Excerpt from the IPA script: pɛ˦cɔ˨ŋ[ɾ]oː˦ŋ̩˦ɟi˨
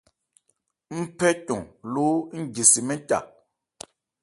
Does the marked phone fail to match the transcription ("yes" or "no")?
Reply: yes